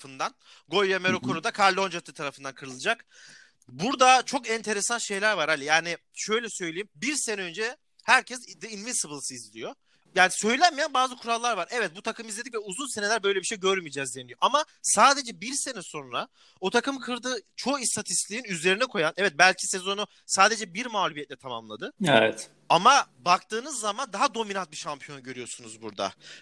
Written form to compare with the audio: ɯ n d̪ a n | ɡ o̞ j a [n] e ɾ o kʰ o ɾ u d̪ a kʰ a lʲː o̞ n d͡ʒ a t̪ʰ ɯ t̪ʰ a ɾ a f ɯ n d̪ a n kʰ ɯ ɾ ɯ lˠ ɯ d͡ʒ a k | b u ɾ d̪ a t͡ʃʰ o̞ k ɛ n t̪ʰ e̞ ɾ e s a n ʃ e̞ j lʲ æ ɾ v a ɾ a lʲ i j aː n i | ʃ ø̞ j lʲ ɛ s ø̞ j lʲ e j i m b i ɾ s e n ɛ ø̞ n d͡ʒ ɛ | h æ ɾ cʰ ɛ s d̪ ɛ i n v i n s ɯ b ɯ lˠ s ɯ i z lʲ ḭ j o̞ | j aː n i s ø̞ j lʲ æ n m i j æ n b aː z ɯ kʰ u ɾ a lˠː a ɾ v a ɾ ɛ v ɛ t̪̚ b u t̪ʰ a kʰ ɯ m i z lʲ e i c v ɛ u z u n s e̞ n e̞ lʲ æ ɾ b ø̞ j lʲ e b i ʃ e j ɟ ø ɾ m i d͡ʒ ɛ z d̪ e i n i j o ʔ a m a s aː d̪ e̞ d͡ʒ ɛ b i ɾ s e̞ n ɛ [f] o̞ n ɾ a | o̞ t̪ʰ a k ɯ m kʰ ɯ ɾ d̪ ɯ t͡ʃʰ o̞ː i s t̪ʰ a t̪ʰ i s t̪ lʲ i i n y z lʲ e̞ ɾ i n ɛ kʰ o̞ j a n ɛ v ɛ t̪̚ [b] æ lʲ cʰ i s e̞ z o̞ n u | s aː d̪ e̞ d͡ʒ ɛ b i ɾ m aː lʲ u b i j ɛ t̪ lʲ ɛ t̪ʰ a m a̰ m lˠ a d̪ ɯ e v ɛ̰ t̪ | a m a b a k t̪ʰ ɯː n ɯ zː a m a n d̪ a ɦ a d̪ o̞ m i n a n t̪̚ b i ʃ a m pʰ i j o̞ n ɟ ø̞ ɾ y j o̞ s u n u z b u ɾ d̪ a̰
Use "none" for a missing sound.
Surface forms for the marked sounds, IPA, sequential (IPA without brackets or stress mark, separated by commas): m, s, b